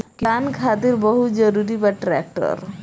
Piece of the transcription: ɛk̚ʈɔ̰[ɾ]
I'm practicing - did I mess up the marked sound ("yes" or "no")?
no